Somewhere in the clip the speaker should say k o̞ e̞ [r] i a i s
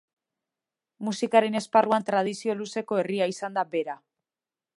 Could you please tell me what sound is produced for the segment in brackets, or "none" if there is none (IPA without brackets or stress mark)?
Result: r